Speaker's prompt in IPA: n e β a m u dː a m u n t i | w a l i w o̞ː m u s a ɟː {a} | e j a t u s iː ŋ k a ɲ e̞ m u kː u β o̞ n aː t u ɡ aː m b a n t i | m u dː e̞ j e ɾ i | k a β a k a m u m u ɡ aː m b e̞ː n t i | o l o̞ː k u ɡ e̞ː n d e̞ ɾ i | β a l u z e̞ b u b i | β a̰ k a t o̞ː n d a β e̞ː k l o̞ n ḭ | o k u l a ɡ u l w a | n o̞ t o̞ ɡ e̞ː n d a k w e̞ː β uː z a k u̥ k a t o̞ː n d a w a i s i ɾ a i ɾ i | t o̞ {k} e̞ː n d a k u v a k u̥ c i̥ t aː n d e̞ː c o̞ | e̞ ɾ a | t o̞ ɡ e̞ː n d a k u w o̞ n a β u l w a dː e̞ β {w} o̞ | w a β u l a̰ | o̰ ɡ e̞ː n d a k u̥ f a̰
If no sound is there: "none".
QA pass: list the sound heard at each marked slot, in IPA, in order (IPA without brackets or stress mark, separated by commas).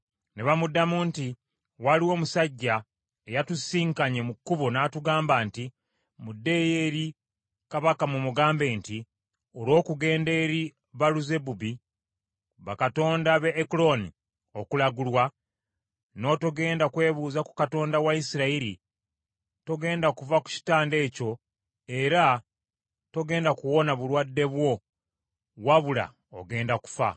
a, ɡ, w